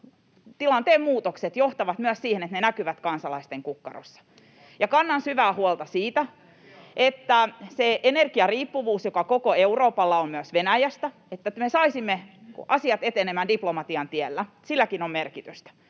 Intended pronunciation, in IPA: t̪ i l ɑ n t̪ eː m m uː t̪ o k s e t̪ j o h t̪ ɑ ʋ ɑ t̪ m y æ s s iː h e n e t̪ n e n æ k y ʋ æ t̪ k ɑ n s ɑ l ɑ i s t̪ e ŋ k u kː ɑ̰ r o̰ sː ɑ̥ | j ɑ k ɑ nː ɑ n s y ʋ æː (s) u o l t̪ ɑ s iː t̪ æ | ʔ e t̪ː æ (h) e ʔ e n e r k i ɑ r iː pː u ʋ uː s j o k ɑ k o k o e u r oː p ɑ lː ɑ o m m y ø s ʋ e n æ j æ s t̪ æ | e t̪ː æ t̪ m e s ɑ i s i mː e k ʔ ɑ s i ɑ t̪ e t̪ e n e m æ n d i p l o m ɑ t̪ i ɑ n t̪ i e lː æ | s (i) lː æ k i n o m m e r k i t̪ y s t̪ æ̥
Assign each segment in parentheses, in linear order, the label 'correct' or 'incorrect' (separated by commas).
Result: incorrect, incorrect, correct